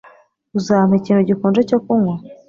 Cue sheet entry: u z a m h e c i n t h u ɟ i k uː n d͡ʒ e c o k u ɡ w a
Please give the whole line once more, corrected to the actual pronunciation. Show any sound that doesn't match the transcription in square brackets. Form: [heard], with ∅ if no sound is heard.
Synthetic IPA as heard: u z a m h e c [iː] n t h u ɟ i k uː n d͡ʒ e c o k u [ŋ] w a